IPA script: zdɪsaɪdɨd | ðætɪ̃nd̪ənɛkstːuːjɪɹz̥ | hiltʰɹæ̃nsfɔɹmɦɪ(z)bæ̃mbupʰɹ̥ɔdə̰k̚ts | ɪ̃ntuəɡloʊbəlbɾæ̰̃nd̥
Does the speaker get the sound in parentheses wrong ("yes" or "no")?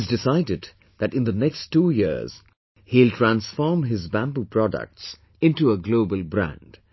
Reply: no